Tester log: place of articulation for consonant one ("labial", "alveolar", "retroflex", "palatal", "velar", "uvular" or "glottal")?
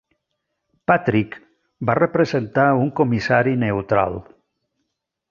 labial